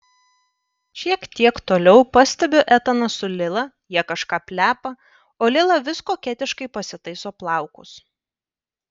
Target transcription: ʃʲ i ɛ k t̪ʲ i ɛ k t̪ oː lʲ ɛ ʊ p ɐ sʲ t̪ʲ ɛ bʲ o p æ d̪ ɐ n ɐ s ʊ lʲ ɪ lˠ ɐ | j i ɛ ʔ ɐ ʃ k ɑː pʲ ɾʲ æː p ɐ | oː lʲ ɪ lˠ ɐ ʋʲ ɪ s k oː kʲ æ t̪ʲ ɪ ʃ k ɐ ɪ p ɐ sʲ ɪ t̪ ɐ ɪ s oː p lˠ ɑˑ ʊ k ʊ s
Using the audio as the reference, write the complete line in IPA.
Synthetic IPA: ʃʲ i ɛ k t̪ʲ i ɛ k t̪ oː lʲ ɛ ʊ p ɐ sʲ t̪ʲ ɛ bʲ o ʔ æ t̪ ɐ n ɐ s ʊ lʲ ɪ lˠ ɐ | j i ɛ k ɐ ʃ k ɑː pʲ lʲ æː p ɐ | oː lʲ ɪ lˠ ɐ ʋʲ ɪ s k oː kʲ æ t̪ʲ ɪ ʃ k ɐ ɪ p ɐ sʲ ɪ t̪ ɐ ɪ s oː p lˠ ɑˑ ʊ k ʊ s